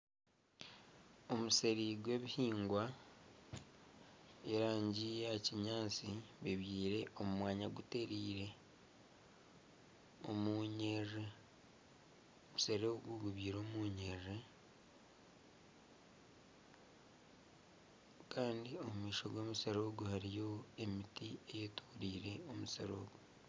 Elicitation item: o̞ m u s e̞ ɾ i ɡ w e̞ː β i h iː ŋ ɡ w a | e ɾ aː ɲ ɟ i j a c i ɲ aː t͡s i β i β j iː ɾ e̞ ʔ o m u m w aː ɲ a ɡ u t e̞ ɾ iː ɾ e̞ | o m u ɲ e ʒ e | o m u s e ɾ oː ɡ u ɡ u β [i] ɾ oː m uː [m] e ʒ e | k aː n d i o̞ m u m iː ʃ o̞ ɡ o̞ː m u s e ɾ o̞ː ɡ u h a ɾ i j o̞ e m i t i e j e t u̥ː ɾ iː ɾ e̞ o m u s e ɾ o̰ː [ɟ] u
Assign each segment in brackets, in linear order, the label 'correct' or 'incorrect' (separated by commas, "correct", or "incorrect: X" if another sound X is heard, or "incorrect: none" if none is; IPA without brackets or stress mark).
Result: incorrect: iː, incorrect: ɲ, incorrect: ɡ